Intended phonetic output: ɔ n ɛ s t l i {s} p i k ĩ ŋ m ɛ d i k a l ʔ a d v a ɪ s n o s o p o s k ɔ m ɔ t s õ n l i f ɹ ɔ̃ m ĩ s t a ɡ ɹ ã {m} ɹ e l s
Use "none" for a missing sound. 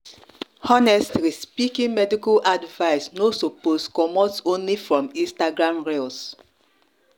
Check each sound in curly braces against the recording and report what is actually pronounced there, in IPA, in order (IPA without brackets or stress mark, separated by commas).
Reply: s, m